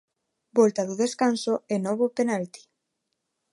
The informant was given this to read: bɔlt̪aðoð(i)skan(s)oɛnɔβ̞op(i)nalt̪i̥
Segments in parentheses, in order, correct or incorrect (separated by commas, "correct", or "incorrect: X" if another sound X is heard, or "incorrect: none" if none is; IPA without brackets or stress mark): incorrect: e, correct, incorrect: e